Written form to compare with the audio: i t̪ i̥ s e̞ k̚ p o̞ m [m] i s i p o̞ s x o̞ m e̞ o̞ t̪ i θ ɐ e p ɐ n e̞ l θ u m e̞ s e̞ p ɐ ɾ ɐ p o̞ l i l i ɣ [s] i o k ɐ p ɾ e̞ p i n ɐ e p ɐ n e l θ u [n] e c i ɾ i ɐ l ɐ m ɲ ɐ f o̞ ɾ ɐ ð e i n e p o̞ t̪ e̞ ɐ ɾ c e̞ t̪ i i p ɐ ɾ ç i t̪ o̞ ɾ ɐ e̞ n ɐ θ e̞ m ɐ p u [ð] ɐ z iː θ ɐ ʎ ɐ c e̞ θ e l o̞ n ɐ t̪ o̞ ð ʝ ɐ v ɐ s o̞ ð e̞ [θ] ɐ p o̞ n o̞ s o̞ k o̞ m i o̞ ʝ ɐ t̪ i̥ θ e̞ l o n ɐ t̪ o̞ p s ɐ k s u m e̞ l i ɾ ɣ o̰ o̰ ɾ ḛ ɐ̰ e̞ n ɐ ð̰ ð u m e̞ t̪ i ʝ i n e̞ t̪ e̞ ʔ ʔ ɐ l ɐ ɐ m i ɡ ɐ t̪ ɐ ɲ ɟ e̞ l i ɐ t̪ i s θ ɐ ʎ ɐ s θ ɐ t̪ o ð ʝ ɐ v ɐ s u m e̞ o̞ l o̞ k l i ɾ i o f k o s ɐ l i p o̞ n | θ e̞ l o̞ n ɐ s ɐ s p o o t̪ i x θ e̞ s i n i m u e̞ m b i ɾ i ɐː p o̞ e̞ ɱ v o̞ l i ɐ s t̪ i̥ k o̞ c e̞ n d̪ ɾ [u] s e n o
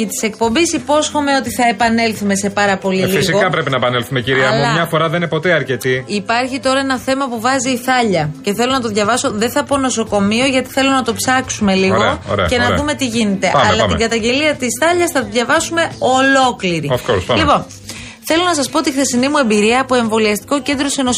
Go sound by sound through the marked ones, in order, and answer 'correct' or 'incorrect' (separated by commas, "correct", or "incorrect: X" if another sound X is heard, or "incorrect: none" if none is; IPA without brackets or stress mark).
incorrect: b, correct, incorrect: m, incorrect: v, correct, incorrect: o